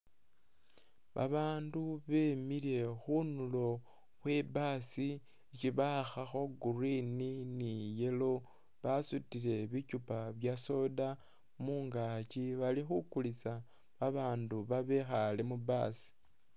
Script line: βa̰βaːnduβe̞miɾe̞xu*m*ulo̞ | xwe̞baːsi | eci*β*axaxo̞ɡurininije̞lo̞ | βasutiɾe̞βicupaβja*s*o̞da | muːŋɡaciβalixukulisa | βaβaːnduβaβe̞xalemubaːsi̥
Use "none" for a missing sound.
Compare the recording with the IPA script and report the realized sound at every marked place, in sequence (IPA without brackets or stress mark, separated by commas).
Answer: n, β, s